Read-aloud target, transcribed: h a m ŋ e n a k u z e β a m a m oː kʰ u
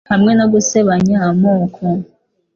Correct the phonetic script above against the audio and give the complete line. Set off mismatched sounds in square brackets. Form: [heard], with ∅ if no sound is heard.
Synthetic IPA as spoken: h a m ŋ e n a [ɡ] u [s] e β a [ɲ] a m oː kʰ [o]